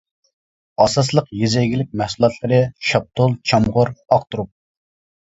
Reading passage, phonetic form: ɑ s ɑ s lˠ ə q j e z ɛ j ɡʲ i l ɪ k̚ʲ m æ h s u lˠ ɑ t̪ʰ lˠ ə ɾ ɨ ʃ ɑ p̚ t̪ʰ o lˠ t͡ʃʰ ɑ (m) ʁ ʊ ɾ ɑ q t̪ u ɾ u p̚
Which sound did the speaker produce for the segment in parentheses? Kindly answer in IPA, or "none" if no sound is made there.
m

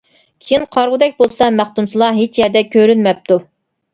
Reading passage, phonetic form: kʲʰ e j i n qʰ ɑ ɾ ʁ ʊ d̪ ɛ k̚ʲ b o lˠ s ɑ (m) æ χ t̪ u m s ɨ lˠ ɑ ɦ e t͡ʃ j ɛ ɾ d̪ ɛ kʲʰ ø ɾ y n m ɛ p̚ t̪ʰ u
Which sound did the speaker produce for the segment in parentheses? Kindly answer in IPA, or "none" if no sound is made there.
m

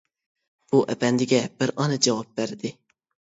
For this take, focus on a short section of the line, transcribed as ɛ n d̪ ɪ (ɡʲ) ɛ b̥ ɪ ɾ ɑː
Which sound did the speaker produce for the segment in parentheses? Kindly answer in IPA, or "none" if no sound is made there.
ɡʲ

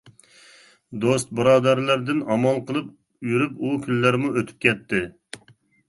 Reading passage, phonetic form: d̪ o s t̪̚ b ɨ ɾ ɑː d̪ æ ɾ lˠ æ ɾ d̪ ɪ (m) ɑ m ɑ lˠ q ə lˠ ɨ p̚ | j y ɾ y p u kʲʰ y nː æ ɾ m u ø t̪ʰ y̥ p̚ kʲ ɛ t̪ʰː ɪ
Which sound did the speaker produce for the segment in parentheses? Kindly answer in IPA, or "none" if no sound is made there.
n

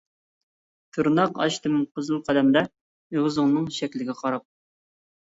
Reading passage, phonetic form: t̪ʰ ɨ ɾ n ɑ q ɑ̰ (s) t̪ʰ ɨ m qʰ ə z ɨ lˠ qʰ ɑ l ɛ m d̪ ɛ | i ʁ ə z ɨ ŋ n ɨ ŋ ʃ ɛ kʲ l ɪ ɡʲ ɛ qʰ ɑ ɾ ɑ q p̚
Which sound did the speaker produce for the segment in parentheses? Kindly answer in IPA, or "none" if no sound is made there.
ʃ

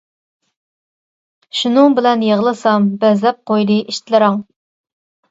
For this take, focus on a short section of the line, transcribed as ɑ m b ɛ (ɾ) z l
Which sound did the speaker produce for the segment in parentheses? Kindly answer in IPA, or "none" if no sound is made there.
none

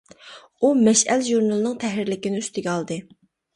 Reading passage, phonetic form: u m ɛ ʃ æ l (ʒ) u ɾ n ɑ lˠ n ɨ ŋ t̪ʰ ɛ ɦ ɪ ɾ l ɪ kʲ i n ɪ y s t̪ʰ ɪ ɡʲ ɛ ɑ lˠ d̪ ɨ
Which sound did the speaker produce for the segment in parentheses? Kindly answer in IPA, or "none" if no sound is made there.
ʒ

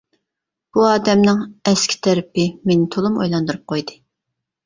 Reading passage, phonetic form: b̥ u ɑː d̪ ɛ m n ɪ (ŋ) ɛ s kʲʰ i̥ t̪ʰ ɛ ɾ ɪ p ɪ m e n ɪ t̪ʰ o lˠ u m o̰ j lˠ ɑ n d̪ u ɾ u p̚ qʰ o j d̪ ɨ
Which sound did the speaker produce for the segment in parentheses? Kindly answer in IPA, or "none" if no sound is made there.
ŋ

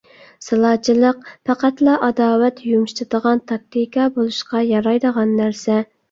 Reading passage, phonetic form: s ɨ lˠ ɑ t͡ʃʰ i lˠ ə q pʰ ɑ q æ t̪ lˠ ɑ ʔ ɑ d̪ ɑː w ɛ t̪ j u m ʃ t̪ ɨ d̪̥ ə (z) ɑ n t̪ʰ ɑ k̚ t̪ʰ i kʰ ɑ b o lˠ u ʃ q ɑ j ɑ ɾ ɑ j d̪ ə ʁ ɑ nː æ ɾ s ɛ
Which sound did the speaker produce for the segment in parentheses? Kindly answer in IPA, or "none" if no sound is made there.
ʁ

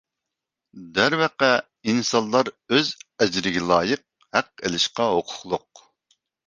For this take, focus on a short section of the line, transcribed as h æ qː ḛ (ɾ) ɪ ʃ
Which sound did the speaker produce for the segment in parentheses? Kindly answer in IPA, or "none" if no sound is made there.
l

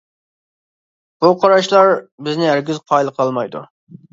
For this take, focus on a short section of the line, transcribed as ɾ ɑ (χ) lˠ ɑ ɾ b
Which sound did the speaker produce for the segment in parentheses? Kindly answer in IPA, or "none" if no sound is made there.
ʃ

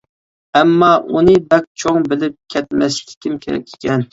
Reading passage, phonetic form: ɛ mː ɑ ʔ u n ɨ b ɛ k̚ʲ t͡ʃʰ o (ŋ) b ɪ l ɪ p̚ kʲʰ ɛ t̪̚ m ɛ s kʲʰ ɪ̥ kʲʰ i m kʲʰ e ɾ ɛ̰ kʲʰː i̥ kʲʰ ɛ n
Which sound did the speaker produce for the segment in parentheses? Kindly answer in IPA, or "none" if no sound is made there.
ŋ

